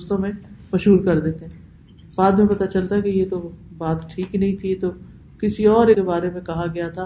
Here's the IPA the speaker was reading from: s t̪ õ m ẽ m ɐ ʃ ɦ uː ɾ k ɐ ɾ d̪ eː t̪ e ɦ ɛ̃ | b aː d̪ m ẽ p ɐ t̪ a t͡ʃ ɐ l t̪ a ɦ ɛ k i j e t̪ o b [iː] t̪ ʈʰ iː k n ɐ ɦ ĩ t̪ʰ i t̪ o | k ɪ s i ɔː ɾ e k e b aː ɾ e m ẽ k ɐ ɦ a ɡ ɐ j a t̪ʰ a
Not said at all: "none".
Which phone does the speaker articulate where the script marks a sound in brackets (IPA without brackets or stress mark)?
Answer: aː